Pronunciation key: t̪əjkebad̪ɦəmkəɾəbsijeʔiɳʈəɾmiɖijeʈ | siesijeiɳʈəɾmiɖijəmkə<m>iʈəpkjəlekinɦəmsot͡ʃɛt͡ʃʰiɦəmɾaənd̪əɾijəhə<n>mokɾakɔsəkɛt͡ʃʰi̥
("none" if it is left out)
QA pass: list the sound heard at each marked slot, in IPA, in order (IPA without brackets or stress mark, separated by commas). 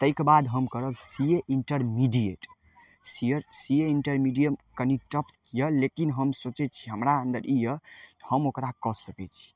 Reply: n, none